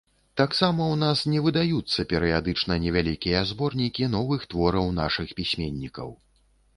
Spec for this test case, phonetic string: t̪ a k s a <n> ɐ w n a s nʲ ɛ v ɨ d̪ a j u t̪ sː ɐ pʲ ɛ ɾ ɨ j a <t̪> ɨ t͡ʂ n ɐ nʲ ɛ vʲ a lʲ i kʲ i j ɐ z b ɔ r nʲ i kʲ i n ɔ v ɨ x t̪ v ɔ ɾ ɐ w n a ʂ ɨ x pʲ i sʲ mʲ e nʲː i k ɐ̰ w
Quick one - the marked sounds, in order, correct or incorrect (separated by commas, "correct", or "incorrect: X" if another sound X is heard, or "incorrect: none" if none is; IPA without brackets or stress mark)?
incorrect: m, incorrect: d̪